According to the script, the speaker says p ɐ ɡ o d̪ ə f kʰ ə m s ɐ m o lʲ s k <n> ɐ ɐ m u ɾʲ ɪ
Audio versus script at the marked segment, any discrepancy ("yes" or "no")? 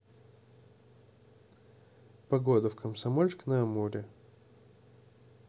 no